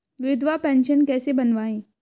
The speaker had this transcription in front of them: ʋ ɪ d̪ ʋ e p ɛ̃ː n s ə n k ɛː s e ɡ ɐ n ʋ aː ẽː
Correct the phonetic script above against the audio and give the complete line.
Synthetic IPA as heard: ʋ ɪ d̪ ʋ a p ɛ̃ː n ʃ ə n k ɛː s e b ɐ n ʋ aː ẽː